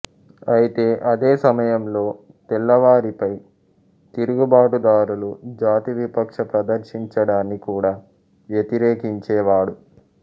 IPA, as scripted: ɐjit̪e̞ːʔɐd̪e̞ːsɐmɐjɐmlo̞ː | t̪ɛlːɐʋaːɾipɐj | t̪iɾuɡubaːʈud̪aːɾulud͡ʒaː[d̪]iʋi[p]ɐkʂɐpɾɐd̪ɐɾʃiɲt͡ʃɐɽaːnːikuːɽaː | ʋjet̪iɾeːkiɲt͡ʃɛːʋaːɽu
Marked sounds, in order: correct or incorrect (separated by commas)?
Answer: incorrect, correct